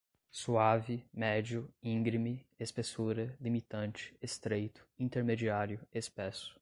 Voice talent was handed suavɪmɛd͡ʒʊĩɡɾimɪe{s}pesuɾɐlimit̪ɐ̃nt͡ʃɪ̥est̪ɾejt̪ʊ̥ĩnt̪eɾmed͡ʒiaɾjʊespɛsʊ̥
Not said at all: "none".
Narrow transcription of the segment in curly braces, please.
s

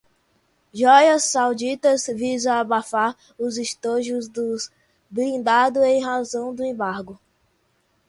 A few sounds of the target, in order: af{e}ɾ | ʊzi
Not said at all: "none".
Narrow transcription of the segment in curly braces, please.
a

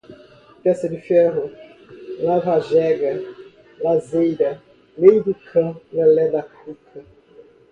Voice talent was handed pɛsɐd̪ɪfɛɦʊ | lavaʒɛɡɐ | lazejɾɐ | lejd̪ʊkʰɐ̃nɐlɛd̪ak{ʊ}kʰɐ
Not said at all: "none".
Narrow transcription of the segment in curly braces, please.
u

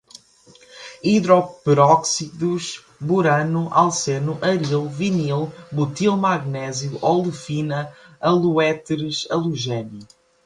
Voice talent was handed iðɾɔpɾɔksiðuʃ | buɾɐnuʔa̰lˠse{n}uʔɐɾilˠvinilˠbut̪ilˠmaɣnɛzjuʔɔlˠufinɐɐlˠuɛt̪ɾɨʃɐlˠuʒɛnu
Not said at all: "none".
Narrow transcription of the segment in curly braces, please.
n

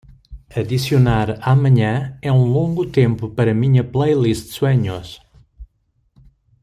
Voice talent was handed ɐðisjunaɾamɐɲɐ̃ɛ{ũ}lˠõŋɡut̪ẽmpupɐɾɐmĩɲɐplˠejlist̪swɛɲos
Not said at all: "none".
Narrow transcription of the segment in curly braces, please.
ũ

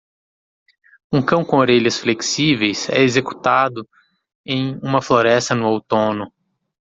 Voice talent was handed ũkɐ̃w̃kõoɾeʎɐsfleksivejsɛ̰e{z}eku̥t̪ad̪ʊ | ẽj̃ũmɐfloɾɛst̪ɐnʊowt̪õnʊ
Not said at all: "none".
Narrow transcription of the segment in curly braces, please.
z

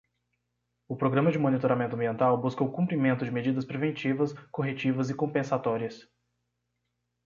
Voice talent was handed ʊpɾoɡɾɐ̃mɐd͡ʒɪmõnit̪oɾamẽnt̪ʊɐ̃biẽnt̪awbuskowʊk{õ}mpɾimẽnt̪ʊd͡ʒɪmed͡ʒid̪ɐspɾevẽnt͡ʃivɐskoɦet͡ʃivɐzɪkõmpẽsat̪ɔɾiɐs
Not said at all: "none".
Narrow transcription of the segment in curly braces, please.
ũ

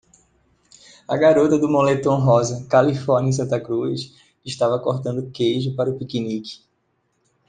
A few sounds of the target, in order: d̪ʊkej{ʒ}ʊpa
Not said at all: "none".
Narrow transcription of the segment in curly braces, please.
ʒ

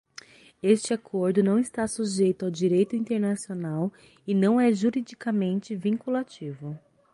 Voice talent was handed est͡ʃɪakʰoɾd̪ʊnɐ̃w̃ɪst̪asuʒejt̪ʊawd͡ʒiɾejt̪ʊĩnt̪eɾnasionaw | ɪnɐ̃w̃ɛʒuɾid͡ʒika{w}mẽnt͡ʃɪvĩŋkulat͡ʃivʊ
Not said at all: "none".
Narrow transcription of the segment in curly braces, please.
none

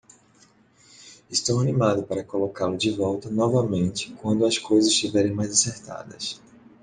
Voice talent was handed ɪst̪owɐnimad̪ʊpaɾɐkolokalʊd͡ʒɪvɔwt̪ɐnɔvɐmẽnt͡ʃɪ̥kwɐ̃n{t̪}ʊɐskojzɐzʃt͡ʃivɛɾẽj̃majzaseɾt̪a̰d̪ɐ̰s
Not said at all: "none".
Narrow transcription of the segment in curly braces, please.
d̪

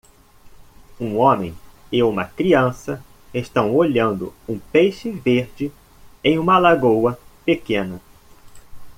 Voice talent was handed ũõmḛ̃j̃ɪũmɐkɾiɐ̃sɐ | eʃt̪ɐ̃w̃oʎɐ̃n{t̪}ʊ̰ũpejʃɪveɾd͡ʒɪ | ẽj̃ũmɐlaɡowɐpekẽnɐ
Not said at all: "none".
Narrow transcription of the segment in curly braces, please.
d̪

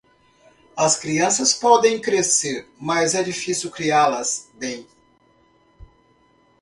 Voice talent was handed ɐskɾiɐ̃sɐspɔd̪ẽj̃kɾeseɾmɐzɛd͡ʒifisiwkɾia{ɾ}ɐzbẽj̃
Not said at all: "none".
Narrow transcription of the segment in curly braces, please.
l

